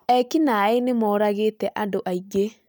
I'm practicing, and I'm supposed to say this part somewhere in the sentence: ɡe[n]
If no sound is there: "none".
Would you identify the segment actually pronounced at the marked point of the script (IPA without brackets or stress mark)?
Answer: none